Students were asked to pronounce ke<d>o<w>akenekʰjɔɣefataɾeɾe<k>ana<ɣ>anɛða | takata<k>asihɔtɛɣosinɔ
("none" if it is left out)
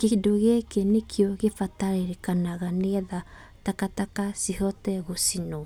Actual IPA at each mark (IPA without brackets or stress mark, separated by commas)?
d, ɣ, k, ɣ, k